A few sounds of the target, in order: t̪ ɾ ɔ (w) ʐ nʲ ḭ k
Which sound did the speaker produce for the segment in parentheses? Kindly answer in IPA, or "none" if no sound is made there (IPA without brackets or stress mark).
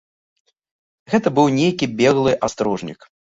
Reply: none